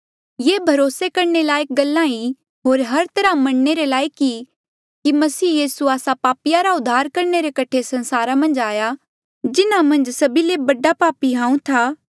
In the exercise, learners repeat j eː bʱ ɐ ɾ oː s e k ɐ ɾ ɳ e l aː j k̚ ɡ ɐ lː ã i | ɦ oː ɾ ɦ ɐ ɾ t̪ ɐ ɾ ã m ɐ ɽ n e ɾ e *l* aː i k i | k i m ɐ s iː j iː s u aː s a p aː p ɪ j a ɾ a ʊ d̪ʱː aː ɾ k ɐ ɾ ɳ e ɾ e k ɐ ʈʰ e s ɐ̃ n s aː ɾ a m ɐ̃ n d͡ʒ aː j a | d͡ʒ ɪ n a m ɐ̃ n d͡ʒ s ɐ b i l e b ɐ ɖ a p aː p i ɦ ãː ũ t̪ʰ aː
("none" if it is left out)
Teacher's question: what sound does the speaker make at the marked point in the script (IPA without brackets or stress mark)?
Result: l